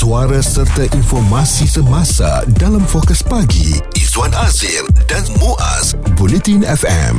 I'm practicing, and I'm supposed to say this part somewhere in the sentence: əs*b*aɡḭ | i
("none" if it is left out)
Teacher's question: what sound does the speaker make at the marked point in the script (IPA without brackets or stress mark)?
p